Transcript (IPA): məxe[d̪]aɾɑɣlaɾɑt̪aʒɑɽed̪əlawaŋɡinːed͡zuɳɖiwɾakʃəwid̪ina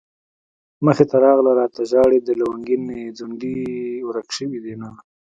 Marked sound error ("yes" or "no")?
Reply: yes